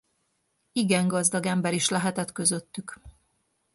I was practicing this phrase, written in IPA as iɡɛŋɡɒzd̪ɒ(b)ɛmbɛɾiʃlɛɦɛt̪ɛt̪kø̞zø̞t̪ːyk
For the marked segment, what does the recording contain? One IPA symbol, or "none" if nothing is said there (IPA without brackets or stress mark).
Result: ɡ